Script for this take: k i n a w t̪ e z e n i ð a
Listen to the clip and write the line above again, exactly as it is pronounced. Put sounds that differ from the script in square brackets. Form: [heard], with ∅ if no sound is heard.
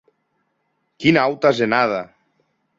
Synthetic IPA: k i n a w t̪ [a] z e n [a] ð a